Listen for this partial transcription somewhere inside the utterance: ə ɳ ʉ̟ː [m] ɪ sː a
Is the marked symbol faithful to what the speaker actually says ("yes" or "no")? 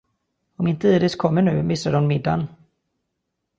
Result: yes